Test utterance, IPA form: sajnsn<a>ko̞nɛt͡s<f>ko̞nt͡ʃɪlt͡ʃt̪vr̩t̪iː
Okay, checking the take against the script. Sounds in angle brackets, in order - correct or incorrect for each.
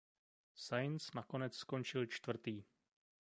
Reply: correct, incorrect: s

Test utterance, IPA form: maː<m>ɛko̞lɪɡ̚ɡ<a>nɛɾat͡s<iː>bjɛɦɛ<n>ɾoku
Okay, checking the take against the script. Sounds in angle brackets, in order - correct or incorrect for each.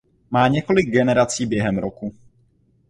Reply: incorrect: ɲ, incorrect: ɛ, correct, incorrect: m

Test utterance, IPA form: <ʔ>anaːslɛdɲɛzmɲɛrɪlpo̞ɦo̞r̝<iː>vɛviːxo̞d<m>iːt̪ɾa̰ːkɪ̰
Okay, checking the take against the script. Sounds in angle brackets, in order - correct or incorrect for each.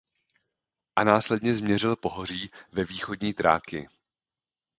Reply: correct, correct, incorrect: ɲ

